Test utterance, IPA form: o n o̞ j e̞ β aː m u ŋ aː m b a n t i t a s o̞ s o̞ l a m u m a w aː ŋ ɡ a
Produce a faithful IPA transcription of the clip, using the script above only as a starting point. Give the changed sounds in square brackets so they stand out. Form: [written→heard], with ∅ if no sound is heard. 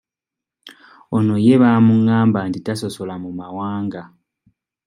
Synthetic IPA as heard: o n o̞ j e̞ β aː m u ŋ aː m b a n t i t a s o̞ s o̞ l a m u m a w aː ŋ ɡ a